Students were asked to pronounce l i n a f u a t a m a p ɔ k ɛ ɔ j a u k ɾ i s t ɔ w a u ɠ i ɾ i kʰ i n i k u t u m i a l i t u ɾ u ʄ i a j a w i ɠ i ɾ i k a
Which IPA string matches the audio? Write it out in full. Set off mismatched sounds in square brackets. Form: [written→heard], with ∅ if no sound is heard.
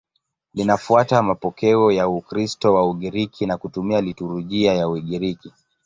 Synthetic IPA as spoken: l i n a f u a t a m a p ɔ k ɛ ɔ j a u k ɾ i s t ɔ w a u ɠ i ɾ i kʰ i n [i→a] k u t u m i a l i t u ɾ u ʄ i a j a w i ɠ i ɾ i k [a→i]